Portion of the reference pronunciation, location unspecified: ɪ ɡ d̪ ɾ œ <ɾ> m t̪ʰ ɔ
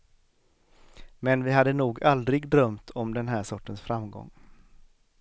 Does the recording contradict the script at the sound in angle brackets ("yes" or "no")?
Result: yes